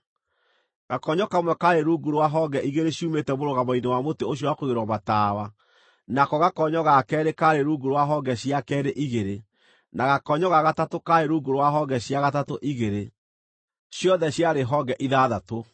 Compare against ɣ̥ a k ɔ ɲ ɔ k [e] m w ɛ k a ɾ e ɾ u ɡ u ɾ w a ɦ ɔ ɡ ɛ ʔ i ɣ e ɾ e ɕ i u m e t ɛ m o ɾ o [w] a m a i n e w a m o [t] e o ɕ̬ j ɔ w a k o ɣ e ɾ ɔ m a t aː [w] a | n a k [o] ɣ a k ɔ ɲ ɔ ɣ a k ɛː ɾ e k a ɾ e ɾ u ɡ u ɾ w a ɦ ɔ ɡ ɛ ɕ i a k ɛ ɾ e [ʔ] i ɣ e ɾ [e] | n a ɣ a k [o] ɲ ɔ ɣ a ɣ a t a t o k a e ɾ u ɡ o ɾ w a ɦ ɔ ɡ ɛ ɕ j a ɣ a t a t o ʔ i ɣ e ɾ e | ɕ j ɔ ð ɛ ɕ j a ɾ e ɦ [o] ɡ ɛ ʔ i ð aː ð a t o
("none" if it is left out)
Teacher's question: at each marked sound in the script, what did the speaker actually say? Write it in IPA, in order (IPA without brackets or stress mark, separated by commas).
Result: a, ɣ, t, w, ɔ, ʔ, e, ɔ, ɔ